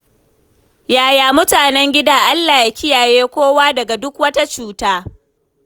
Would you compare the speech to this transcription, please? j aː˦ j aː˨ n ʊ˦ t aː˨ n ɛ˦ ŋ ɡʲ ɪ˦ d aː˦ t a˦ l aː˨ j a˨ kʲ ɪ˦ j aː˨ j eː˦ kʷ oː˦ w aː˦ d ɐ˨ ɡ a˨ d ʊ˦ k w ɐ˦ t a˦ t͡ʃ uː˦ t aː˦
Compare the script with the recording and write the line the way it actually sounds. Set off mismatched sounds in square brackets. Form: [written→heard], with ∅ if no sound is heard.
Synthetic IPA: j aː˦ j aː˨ [n→m] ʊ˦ t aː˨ n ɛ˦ ŋ ɡʲ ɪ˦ d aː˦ [t→ʔ] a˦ [l→lː] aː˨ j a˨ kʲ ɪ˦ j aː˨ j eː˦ kʷ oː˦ w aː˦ d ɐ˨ ɡ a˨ d ʊ˦ k w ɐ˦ t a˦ t͡ʃ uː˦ t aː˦

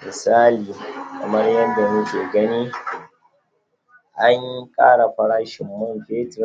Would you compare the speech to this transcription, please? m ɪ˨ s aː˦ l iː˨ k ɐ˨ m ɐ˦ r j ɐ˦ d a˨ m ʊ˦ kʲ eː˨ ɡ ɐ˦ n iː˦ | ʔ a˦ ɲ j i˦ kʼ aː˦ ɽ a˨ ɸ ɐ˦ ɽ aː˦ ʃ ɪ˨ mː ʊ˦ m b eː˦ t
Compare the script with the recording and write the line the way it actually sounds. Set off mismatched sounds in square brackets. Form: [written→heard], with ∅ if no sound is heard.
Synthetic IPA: m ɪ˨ s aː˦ l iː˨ k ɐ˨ m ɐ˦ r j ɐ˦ d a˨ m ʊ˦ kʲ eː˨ ɡ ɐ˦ n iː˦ | ʔ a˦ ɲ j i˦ kʼ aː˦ ɽ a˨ ɸ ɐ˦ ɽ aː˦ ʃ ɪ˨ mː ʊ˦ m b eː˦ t

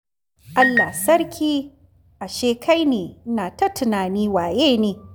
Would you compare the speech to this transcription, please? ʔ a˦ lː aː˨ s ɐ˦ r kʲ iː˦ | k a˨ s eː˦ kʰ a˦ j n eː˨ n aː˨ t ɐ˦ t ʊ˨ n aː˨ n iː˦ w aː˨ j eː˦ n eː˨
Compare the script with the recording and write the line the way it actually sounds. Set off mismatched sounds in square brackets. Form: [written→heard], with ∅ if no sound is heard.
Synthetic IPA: ʔ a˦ lː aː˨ s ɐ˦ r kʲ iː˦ | [k→ʔ] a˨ [s→ʃ] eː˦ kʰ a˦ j n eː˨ n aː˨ t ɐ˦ t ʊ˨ n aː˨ n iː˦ w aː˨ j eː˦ n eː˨

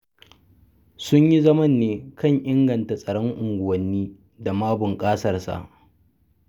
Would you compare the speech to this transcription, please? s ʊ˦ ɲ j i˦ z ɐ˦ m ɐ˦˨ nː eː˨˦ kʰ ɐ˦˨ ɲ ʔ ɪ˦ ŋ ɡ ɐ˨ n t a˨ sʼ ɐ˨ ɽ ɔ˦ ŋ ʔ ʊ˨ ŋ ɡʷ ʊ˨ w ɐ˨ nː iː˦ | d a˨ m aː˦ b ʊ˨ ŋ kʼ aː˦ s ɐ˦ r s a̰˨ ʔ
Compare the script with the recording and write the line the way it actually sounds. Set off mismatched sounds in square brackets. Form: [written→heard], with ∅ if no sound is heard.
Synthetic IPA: s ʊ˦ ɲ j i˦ z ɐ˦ m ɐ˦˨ nː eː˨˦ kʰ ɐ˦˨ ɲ ʔ ɪ˦ ŋ ɡ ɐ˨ n t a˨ sʼ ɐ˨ ɽ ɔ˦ ŋ ʔ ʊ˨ ŋ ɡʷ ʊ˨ w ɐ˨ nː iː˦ | d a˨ m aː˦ b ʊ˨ ŋ kʼ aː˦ s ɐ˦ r s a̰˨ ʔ

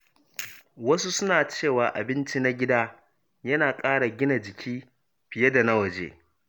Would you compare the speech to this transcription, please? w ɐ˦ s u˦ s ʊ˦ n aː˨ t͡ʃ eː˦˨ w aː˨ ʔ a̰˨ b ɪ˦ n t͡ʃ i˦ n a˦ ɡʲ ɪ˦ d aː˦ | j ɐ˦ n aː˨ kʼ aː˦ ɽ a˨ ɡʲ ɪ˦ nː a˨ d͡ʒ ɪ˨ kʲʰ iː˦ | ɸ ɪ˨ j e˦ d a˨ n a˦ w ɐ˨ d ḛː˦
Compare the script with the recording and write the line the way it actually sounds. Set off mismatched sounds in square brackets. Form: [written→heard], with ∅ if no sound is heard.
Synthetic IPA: w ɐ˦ s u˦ s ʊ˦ n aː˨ t͡ʃ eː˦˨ w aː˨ ʔ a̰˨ b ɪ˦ n t͡ʃ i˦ n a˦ ɡʲ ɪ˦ d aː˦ | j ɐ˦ n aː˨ kʼ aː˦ ɽ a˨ ɡʲ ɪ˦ [nː→n] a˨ d͡ʒ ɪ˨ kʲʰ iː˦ | ɸ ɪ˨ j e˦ d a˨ n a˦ w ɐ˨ [d→d͡ʒ] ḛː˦

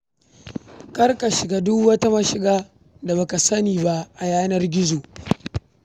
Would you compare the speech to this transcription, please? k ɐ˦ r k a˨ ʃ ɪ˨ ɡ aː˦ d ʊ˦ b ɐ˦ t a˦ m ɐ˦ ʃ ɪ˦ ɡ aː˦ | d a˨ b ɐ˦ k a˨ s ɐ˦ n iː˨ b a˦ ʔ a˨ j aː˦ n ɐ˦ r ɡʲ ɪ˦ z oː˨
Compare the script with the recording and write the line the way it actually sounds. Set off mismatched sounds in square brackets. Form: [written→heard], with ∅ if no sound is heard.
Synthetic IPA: k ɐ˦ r k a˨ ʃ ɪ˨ ɡ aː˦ d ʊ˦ [b→w] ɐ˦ t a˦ m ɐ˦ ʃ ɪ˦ ɡ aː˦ | d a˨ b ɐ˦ k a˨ s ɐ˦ n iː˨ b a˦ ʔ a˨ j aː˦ n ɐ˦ r ɡʲ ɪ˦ z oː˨

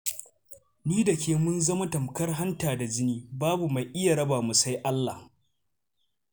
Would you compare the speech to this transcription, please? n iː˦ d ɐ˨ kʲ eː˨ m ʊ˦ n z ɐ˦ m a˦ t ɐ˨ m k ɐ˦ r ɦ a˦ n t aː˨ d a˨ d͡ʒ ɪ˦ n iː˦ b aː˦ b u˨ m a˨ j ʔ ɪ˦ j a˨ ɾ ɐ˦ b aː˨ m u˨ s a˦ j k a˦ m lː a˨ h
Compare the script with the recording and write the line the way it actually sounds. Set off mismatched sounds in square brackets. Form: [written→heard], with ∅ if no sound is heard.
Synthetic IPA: n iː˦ d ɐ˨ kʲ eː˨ m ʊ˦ n z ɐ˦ m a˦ t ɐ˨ m k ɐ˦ r ɦ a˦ n t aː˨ d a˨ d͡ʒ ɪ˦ n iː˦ b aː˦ b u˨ m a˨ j ʔ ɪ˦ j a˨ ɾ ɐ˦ b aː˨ m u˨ s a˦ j [k→ʔ] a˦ [m→∅] lː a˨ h

